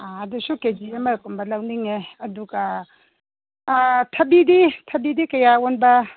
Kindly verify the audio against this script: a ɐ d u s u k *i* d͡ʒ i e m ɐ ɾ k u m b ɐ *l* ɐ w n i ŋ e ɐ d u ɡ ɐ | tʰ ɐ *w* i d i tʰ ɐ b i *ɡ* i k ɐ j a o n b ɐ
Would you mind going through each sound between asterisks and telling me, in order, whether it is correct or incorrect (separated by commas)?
incorrect, correct, incorrect, incorrect